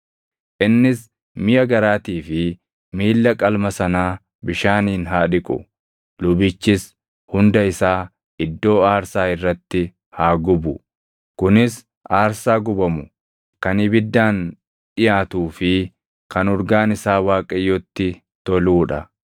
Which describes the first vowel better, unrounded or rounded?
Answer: unrounded